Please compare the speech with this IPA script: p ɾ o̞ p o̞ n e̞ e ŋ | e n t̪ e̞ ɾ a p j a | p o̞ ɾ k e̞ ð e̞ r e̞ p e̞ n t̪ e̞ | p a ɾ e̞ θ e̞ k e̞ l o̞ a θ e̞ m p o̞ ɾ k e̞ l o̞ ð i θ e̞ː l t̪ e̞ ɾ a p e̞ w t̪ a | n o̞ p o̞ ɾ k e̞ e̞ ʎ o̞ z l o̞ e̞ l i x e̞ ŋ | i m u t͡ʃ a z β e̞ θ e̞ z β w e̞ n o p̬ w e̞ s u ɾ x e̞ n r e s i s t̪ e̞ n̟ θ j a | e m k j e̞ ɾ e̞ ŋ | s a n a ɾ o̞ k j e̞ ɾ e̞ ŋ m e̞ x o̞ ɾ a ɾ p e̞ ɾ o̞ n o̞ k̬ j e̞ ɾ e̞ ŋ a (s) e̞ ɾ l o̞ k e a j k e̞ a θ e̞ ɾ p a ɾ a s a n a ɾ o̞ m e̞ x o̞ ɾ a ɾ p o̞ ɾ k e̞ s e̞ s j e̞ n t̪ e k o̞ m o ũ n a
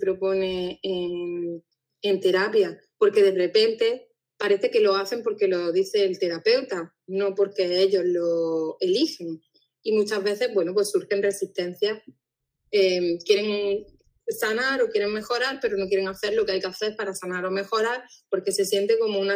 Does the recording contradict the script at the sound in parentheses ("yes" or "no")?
yes